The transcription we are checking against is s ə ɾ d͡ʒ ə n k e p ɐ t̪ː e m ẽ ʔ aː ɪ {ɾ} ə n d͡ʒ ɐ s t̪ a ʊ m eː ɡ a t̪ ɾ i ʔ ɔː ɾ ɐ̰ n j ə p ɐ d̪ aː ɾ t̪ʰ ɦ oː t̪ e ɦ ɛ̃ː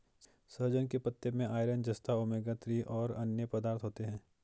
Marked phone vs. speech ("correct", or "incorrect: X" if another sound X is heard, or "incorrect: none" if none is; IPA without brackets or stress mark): correct